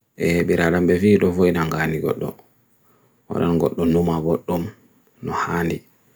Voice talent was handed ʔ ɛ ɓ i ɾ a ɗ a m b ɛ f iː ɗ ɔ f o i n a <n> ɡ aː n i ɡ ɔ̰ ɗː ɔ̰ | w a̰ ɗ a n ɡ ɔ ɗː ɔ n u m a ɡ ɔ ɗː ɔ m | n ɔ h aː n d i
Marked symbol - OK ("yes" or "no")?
no